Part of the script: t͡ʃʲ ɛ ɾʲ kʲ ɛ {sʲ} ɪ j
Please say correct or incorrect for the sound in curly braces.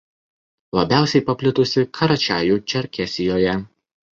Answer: correct